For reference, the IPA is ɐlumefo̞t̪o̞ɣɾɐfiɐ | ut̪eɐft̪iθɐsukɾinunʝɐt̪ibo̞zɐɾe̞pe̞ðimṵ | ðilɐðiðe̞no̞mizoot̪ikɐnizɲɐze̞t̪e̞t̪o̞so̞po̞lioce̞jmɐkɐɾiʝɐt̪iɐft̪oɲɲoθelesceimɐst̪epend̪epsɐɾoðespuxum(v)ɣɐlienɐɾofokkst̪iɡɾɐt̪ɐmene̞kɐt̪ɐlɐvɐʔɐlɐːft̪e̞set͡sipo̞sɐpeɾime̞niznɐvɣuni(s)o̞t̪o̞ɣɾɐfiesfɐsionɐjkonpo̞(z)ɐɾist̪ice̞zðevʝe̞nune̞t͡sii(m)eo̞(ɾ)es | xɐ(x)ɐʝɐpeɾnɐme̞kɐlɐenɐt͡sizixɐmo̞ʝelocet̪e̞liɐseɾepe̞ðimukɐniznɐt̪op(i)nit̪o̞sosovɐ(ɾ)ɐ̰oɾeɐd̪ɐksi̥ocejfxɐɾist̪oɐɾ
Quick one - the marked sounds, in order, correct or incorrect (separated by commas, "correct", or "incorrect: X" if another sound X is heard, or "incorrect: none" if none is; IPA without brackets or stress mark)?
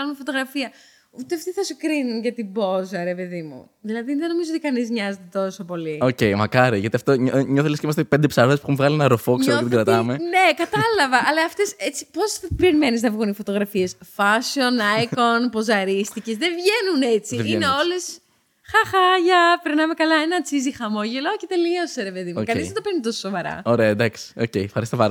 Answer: correct, incorrect: f, correct, incorrect: n, incorrect: l, correct, incorrect: e, correct